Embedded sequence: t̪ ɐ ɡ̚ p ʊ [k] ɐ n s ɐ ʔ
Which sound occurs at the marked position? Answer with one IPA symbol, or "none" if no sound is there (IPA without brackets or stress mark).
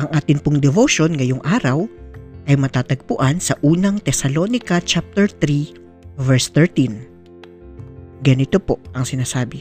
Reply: ʔ